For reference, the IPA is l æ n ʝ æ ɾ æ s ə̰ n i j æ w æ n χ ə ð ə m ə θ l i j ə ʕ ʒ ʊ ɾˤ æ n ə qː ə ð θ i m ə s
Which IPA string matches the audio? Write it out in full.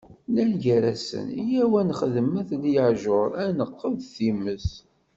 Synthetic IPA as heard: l æ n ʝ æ ɾ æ s ə̰ n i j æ w æ n χ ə ð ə m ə θ l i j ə ʕ ʒ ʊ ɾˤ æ n ə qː ə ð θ i m ə s